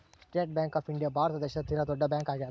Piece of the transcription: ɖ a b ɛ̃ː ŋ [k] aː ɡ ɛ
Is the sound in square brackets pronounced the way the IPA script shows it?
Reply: yes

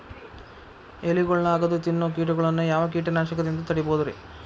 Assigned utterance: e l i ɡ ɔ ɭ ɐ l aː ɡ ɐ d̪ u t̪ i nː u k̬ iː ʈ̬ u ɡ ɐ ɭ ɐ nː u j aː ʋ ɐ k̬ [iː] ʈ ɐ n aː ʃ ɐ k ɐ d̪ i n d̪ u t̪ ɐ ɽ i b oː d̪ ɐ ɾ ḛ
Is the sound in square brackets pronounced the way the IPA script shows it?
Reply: yes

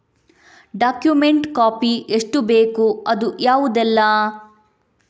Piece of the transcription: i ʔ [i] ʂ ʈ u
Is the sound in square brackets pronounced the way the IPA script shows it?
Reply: no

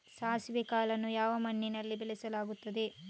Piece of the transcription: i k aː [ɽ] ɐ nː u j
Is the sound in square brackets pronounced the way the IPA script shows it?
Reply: no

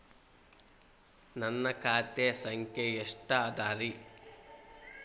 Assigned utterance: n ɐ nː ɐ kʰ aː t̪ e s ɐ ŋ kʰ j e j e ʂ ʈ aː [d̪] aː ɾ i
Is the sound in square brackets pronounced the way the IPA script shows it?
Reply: yes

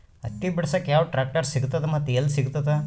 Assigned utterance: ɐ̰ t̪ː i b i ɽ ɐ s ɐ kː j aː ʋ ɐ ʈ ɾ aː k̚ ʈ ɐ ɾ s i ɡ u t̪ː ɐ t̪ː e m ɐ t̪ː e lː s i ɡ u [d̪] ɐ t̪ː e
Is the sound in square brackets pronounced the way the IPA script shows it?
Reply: no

